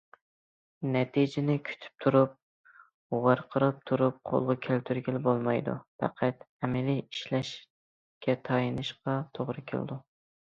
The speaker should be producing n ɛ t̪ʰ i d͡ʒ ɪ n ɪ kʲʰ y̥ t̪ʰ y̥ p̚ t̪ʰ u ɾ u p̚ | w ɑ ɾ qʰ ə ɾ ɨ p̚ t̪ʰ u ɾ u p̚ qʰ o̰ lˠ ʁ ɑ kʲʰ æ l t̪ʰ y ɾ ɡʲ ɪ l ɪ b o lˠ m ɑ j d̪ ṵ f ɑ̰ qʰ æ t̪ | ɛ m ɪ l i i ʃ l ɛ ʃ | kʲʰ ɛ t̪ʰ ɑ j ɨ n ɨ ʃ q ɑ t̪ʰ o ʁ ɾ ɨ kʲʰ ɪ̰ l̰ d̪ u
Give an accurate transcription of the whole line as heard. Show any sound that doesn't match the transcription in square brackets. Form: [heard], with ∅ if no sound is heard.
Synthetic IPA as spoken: n ɛ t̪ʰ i d͡ʒ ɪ n ɪ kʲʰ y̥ t̪ʰ y̥ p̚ t̪ʰ u ɾ u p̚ | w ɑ ɾ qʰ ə ɾ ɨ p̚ t̪ʰ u ɾ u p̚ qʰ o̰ lˠ ʁ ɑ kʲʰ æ l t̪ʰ y ɾ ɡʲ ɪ l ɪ b o lˠ m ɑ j d̪ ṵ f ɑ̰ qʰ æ t̪ | ɛ m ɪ l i i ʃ l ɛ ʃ | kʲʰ ɛ t̪ʰ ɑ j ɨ n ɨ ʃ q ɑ t̪ʰ o ʁ ɾ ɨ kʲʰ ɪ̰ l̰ d̪ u

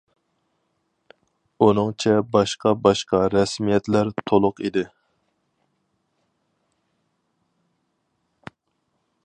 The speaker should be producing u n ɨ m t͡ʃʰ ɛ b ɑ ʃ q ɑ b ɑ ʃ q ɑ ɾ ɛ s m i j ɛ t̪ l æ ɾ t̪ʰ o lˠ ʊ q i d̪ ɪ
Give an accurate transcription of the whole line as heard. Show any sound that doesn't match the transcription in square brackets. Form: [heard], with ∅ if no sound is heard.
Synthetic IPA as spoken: u n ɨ [ŋ] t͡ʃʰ ɛ b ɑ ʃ q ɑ b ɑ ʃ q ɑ ɾ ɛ s m i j ɛ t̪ l æ ɾ t̪ʰ o lˠ ʊ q i d̪ ɪ

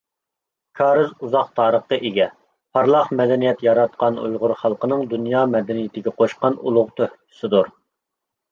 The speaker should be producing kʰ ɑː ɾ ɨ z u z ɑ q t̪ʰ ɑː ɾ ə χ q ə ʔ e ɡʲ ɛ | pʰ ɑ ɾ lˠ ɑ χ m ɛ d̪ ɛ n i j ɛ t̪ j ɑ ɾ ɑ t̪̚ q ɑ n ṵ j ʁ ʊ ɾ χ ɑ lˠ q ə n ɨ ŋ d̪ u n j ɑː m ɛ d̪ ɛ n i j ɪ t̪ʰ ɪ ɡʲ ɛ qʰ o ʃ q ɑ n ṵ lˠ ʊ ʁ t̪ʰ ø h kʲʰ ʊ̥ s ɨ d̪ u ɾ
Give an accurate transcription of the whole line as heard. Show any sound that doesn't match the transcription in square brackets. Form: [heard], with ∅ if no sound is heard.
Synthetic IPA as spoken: kʰ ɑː ɾ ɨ z u z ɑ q t̪ʰ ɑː ɾ ə χ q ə ʔ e ɡʲ ɛ | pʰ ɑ ɾ lˠ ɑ χ m ɛ d̪ ɛ n i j ɛ t̪ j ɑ ɾ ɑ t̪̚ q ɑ n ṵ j ʁ ʊ ɾ χ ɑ lˠ q ə n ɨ ŋ d̪ u n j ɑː m ɛ d̪ ɛ n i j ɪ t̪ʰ ɪ ɡʲ ɛ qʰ o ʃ q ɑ n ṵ lˠ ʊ ʁ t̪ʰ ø h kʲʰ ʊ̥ s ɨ d̪ u ɾ

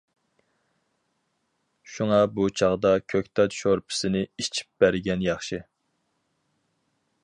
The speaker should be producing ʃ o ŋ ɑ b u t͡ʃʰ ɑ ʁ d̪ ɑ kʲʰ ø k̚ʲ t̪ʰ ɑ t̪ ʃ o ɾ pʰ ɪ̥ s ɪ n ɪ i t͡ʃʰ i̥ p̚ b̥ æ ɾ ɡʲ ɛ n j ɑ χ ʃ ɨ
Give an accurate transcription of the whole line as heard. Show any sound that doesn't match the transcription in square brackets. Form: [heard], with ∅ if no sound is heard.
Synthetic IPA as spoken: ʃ [u] ŋ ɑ b u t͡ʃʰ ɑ ʁ d̪ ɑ kʲʰ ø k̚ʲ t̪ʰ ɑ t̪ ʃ o ɾ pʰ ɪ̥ s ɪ n ɪ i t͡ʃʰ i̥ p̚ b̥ æ ɾ ɡʲ ɛ n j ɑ χ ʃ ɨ

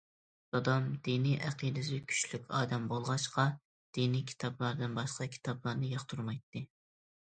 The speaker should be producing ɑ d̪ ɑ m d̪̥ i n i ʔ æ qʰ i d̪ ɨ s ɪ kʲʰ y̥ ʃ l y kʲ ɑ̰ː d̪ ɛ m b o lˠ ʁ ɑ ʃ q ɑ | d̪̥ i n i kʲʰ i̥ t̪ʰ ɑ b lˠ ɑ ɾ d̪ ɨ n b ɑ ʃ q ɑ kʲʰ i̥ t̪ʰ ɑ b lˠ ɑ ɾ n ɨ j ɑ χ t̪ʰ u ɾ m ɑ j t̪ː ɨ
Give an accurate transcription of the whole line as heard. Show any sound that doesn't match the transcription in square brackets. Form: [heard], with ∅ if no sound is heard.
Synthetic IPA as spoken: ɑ d̪ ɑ m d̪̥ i n i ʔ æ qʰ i d̪ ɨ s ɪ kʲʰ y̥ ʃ l y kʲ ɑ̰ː d̪ ɛ m b o lˠ ʁ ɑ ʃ q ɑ | d̪̥ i n i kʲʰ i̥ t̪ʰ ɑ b lˠ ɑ ɾ d̪ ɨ n b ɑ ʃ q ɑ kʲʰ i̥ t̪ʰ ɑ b lˠ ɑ ɾ n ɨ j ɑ χ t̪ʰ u ɾ m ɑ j t̪ː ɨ

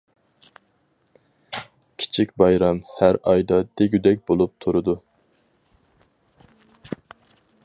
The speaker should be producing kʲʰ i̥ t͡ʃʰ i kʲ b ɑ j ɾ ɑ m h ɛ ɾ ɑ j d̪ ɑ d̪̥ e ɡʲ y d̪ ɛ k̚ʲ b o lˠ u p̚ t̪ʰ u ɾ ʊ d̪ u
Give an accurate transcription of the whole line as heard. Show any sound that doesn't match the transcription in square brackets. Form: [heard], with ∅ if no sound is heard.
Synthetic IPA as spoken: kʲʰ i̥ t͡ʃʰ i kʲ b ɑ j ɾ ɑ m h [æ] ɾ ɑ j d̪ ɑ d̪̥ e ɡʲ y d̪ ɛ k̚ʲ b o lˠ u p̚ t̪ʰ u ɾ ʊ d̪ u

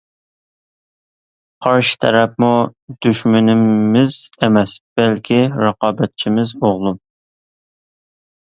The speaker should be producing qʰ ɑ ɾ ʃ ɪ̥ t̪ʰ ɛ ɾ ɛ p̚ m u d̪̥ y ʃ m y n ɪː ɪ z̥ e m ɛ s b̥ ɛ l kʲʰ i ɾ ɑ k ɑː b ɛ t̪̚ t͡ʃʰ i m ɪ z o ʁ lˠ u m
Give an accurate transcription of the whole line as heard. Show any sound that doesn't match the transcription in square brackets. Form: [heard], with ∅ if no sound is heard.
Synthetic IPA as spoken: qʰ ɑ ɾ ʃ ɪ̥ t̪ʰ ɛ ɾ ɛ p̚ m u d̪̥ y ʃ m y n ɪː ɪ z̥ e m ɛ s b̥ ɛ l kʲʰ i ɾ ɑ [q] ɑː b ɛ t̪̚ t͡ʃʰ i m ɪ z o ʁ lˠ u m

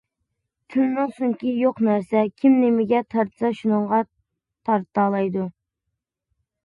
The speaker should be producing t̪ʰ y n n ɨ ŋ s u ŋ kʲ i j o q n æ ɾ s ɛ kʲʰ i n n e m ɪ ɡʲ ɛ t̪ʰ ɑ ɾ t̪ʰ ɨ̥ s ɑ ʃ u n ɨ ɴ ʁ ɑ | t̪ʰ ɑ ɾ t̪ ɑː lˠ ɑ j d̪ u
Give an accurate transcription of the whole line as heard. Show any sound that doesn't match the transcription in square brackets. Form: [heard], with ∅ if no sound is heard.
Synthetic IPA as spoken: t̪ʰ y n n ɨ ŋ s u ŋ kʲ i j o q n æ ɾ s ɛ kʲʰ i [m] n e m ɪ ɡʲ ɛ t̪ʰ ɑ ɾ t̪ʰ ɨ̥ s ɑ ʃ u n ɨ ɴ ʁ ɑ | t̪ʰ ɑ ɾ t̪ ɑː lˠ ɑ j d̪ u

